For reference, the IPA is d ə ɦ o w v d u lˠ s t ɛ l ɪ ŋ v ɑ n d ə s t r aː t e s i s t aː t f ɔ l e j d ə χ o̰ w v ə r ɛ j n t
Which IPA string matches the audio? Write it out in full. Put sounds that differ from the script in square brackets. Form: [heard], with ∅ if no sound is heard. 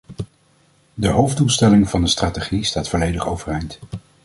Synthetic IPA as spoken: d ə ɦ o w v d u lˠ s t ɛ l ɪ ŋ v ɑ n d ə s t r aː t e [χ] i s t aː t f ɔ l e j d ə χ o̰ w v ə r ɛ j n t